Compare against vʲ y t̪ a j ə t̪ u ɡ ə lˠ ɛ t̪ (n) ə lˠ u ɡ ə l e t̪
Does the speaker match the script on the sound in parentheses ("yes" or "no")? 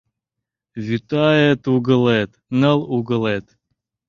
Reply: yes